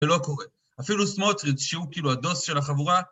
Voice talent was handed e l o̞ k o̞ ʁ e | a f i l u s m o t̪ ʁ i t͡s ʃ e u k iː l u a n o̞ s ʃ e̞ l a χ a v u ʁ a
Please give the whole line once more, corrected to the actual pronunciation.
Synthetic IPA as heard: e l o̞ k o̞ ʁ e | a f i l u s m o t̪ ʁ i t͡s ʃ e u k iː l u a d o̞ s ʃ e̞ l a χ a v u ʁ a